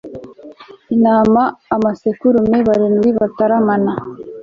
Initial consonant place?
alveolar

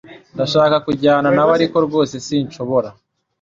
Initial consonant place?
alveolar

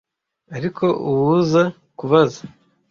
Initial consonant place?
alveolar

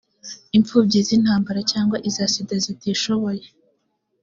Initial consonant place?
labial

